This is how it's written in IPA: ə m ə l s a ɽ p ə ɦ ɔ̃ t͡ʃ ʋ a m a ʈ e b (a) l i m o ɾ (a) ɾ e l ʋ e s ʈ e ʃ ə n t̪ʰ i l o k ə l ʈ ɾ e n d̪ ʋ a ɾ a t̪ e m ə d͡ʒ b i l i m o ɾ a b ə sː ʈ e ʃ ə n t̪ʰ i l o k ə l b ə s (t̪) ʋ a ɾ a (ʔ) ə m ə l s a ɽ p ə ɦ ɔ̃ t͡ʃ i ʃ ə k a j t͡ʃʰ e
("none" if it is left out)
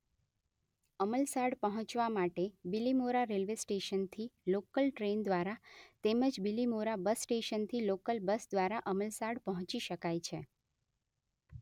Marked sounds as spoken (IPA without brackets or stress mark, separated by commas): i, a, d̪, ʔ